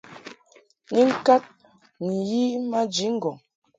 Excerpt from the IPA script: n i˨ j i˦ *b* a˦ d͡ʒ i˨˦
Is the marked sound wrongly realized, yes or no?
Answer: yes